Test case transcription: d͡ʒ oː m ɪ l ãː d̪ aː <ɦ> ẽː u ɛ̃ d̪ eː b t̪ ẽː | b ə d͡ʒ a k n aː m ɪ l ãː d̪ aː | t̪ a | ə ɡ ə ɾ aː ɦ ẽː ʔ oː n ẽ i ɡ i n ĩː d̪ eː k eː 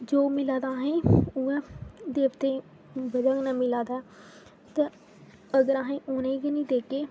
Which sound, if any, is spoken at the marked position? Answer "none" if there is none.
ɦ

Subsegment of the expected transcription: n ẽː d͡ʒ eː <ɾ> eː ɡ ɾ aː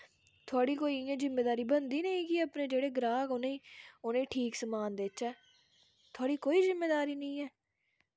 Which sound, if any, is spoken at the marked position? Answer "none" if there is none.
ɽ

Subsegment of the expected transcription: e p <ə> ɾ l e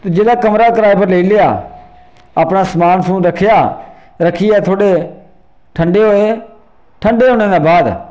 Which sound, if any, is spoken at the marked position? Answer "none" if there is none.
ə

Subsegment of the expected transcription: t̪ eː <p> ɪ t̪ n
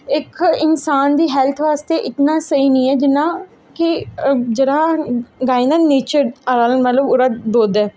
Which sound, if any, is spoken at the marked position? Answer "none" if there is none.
ʔ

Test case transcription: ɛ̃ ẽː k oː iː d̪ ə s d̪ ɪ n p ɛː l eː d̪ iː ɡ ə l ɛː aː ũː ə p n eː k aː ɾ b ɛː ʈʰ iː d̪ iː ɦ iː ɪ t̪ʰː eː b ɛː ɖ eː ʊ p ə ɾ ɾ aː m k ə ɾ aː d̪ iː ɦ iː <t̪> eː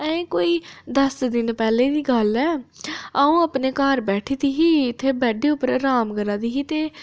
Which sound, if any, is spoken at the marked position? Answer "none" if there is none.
t̪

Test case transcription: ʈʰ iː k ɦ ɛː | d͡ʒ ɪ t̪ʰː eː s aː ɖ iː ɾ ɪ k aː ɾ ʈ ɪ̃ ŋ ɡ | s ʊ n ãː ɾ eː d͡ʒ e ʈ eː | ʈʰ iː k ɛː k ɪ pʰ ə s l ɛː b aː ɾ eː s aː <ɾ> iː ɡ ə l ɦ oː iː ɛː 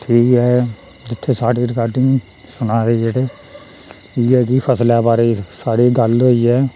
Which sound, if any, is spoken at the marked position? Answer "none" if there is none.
ɽ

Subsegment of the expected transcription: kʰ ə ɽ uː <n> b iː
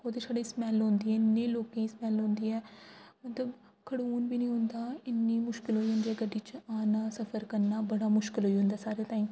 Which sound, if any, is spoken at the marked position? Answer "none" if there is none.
n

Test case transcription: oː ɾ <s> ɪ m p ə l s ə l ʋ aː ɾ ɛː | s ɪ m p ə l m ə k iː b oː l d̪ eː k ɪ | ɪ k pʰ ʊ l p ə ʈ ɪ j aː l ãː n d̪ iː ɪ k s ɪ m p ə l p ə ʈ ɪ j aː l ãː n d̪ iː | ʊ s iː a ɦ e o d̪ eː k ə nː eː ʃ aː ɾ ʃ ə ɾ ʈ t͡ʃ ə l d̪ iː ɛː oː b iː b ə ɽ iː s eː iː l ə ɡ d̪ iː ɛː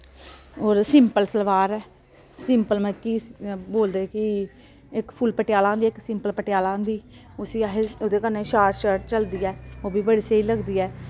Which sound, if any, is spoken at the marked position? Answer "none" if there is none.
s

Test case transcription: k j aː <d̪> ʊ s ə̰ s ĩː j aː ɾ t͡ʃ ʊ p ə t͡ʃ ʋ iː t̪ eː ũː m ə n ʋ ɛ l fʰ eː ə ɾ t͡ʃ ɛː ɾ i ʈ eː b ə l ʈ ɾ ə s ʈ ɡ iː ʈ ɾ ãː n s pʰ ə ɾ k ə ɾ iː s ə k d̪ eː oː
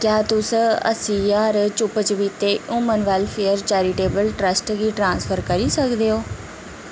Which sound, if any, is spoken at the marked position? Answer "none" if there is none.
t̪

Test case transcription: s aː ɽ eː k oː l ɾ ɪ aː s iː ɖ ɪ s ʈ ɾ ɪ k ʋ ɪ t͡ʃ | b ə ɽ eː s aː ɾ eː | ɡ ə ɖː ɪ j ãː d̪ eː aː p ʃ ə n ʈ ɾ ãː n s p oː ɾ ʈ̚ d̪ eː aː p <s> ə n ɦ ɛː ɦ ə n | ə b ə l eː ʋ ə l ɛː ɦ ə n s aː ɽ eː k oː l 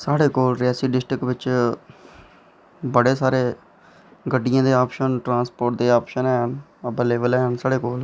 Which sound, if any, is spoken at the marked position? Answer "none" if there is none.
ʃ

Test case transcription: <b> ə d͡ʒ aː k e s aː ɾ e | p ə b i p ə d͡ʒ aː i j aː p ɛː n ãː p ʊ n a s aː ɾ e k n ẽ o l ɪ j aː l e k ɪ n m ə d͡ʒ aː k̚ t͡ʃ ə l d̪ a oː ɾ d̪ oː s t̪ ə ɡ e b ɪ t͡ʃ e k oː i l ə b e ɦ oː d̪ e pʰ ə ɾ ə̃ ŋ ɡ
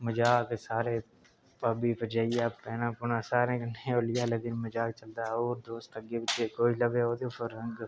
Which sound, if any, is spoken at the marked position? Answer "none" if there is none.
m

